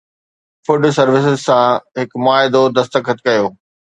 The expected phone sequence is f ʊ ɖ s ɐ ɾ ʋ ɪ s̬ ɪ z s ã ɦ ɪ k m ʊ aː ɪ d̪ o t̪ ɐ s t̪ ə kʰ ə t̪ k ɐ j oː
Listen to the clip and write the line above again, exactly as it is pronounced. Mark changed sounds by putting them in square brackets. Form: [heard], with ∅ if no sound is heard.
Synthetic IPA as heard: f ʊ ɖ s ɐ ɾ ʋ ɪ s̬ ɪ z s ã ɦ ɪ k m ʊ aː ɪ d̪ o [d̪] ɐ s t̪ ə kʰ ə t̪ k ɐ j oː